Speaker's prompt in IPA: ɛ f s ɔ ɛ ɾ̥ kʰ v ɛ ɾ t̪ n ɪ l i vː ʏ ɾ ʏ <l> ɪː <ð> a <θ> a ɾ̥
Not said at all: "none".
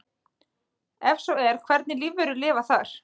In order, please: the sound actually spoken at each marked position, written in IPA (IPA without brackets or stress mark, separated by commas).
l, v, θ